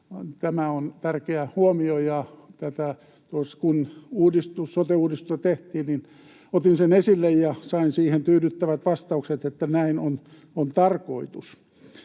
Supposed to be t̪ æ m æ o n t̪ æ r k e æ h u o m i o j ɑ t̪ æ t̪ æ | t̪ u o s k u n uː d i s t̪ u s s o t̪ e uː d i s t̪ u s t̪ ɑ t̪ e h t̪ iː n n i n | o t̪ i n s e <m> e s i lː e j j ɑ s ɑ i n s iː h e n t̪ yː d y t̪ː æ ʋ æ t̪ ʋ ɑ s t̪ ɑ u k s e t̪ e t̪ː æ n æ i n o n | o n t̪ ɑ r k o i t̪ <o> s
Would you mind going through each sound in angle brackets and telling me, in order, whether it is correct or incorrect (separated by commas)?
incorrect, incorrect